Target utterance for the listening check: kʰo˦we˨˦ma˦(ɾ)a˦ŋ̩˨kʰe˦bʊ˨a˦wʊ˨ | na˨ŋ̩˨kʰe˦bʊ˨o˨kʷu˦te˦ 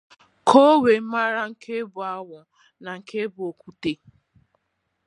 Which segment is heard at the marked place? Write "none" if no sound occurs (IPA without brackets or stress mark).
ɾ